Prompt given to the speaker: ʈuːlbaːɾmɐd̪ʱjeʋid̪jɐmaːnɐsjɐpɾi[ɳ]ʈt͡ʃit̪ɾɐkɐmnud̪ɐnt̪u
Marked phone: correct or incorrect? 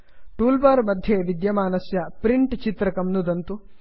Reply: correct